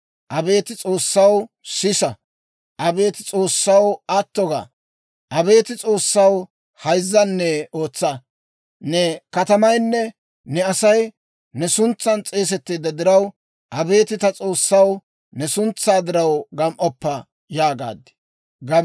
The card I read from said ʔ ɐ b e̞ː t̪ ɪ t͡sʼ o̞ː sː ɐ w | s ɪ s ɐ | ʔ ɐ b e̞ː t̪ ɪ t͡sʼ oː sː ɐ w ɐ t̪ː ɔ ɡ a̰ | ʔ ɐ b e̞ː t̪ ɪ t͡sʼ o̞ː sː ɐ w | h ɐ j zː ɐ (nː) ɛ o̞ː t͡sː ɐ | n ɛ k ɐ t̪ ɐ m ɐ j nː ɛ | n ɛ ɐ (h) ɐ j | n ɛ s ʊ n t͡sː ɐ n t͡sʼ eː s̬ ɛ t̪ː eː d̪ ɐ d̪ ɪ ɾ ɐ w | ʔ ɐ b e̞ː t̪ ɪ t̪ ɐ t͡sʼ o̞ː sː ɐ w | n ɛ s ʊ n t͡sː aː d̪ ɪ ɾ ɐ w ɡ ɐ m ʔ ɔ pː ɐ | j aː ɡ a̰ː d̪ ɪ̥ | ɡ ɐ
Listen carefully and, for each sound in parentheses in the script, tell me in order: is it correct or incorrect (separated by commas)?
correct, incorrect